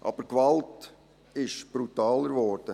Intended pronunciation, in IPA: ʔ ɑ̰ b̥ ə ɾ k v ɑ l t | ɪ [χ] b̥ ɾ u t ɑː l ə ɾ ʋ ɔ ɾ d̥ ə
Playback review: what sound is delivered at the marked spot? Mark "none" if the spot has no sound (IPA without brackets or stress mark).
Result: ʃ